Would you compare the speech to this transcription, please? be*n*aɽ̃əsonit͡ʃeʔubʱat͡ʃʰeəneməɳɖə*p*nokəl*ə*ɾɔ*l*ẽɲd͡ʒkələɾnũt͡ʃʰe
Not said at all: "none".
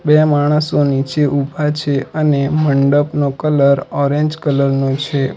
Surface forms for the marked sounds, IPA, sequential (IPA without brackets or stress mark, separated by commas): m, p, ə, ɾ